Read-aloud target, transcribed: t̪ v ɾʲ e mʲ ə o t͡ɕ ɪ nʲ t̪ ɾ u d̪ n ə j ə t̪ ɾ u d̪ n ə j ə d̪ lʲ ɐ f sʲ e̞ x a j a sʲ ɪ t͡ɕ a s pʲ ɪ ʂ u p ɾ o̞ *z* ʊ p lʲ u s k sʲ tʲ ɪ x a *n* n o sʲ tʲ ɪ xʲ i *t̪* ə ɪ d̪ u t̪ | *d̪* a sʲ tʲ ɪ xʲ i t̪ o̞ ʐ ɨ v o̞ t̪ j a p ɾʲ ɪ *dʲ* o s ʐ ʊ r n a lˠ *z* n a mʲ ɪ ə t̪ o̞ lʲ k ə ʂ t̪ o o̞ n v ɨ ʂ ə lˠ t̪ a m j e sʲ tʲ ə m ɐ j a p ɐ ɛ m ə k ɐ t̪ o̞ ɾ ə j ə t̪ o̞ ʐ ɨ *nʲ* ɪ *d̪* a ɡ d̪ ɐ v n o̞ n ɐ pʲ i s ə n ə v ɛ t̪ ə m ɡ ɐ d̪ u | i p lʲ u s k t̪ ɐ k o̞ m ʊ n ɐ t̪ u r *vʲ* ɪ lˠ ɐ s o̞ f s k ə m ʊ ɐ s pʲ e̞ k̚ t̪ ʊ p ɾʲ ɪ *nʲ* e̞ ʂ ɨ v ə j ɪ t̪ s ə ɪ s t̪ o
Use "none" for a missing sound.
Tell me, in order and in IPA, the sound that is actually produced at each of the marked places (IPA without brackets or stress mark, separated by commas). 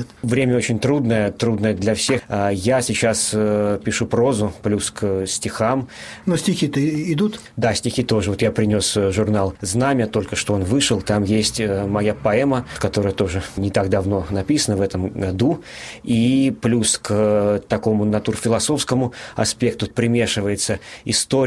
z, m, t̪, d̪, nʲ, z, nʲ, t̪, fʲ, mʲ